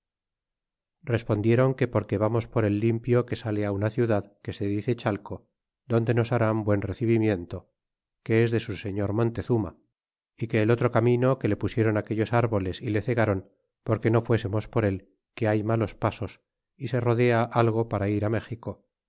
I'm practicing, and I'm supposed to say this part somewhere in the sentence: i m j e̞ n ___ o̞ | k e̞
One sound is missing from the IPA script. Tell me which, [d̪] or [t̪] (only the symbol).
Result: t̪